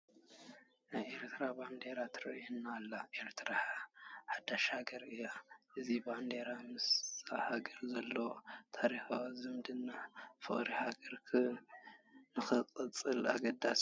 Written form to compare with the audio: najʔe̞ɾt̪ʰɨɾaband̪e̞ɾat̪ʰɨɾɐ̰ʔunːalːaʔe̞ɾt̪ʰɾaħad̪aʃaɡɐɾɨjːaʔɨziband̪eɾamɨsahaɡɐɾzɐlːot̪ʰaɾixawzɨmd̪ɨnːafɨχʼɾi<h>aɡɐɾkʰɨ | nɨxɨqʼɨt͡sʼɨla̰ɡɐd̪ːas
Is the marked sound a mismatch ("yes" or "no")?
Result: no